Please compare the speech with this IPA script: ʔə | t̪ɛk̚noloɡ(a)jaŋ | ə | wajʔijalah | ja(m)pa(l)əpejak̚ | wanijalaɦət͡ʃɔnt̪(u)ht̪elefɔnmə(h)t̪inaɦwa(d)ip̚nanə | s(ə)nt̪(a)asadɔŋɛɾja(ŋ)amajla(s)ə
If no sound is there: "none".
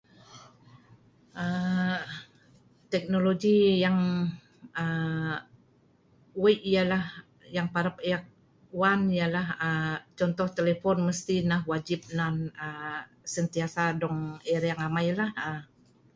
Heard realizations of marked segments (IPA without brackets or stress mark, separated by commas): i, ŋ, ɾ, ɔ, s, d͡ʒ, ə, i, ŋ, h